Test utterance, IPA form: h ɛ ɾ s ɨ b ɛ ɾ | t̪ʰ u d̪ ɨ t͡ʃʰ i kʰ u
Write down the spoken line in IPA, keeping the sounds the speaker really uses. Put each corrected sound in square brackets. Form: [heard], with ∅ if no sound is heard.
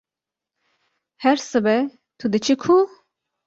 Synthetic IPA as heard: h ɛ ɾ s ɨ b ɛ [∅] | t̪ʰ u d̪ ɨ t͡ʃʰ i kʰ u